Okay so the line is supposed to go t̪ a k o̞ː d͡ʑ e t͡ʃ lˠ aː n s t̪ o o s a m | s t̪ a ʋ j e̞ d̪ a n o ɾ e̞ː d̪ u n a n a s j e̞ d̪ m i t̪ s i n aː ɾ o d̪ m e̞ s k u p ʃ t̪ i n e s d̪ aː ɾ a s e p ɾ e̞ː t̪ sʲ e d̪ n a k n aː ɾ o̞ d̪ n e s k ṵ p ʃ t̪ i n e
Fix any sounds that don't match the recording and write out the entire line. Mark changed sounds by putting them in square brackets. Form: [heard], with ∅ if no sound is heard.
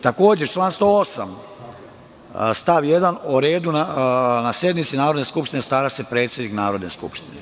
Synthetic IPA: t̪ a k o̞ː d͡ʑ e t͡ʃ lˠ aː n s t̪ o o s a m | s t̪ a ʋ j e̞ d̪ a n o ɾ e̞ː d̪ u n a n a s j e̞ d̪ m i t̪ s i n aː ɾ o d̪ [n] e̞ s k u p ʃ t̪ i n e s [t̪] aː ɾ a s e p ɾ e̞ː t̪ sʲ e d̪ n [i] k n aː ɾ o̞ d̪ n e s k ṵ p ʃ t̪ i n e